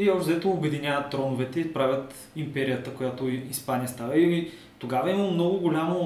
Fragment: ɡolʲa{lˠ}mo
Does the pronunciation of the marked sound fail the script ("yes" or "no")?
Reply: yes